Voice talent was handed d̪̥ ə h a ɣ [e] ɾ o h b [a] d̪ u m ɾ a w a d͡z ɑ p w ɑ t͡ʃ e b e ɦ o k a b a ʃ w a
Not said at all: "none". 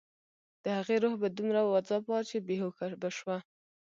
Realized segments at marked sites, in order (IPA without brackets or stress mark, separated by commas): e, a